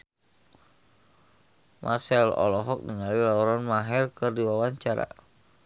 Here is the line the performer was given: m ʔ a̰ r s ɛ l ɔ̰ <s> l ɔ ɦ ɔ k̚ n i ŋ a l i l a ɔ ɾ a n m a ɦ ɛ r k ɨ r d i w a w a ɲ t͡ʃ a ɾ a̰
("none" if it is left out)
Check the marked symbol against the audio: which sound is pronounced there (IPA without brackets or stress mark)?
none